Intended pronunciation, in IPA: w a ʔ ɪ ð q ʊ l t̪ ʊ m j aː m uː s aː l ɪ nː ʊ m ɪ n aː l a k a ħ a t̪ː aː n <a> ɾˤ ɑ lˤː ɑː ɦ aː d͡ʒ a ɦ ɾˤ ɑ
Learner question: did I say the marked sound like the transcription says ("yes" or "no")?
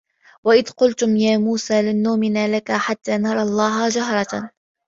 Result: no